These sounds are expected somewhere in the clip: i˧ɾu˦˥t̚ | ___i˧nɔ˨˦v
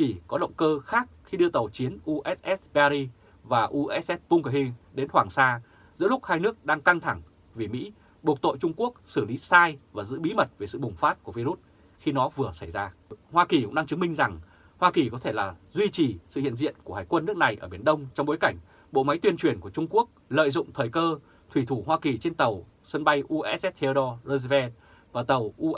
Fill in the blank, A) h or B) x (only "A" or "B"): B